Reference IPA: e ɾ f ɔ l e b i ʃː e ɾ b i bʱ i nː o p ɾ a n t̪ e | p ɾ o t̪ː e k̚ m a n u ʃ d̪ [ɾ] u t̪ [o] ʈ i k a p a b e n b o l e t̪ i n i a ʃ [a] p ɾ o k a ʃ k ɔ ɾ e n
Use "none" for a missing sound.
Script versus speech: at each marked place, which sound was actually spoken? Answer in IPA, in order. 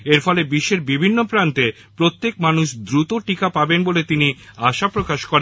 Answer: ɾ, o, a

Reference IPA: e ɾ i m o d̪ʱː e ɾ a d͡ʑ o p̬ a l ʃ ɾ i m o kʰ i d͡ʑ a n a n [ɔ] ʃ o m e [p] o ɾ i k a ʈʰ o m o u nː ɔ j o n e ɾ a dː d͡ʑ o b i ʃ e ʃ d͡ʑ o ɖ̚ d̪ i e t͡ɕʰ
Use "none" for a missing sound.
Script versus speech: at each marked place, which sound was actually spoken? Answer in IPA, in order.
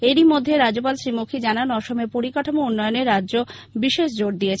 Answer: ɔ, p

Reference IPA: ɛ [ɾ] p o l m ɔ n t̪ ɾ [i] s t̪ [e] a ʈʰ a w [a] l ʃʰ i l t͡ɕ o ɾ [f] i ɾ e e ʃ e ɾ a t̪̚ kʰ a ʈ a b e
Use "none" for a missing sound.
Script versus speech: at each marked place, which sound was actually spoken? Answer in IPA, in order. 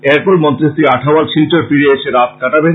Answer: ɾ, i, i, a, f

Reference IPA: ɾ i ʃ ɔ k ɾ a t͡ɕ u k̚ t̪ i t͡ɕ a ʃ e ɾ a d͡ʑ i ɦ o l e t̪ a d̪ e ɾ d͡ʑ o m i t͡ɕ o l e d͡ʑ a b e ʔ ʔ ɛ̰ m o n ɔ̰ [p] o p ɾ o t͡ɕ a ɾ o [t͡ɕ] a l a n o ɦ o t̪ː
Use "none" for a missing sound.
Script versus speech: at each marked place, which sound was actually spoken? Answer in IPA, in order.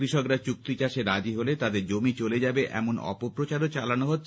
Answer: p, t͡ɕ

